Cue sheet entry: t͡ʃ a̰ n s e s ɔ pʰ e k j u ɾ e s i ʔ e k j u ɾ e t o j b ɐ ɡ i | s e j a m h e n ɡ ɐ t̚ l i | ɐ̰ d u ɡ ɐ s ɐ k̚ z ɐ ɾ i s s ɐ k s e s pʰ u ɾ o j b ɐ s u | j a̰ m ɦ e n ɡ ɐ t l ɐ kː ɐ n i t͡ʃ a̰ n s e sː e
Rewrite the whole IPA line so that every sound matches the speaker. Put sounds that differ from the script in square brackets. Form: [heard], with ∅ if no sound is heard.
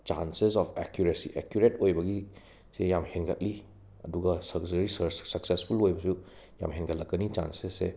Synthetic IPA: t͡ʃ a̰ n s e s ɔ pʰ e k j u ɾ e s i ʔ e k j u ɾ e t o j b ɐ ɡ i | s e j a m h e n ɡ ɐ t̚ l i | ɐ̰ d u ɡ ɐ s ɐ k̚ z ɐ ɾ i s s ɐ k s e s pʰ u [l] o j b ɐ s u | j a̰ m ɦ e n ɡ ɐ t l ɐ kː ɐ n i t͡ʃ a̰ n s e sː e